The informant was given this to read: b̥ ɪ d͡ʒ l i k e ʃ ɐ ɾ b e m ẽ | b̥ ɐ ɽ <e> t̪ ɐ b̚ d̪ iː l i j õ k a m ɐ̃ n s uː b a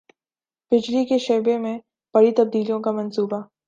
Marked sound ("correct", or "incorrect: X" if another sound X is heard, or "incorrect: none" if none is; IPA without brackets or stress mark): incorrect: i